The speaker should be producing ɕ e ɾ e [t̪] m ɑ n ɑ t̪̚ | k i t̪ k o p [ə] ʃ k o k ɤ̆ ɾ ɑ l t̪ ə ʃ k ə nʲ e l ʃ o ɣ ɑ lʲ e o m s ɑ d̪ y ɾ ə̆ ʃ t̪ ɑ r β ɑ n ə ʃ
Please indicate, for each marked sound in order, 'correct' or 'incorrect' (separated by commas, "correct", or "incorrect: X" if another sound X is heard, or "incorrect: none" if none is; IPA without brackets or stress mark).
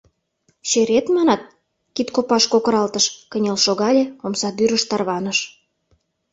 correct, incorrect: ɑ